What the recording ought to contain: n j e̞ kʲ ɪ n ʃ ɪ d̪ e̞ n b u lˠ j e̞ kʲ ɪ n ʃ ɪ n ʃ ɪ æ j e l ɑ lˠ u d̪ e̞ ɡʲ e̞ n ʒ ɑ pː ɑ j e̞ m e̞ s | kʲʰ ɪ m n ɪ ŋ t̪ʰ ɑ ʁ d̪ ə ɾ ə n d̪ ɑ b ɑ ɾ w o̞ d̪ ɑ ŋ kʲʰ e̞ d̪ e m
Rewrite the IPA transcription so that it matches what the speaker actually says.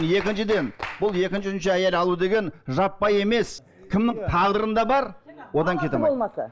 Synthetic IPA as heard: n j e̞ kʲ ɪ n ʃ ɪ d̪ e̞ n b ʊ lˠ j e̞ kʲ ɪ n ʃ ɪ n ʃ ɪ æ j e l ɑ lˠ u d̪ e̞ ɡʲ e̞ n ʒ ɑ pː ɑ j e̞ m e̞ s | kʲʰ ɪ m n ɪ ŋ t̪ʰ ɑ ʁ d̪ ə ɾ ə n d̪ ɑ b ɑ ɾ w o̞ d̪ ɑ ŋ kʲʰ e̞ t̪ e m